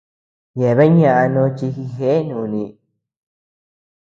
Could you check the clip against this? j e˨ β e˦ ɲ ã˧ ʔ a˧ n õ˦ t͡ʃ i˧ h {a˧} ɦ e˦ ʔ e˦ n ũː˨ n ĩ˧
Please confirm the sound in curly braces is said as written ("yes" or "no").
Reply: no